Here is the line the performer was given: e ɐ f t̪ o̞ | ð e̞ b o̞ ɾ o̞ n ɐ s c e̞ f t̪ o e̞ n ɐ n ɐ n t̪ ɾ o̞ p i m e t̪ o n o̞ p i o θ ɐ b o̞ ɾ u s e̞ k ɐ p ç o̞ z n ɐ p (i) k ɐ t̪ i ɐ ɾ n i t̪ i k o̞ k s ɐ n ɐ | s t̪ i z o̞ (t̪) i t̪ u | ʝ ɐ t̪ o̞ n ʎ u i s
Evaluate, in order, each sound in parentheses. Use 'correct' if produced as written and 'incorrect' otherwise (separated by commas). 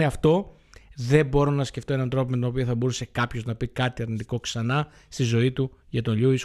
correct, incorrect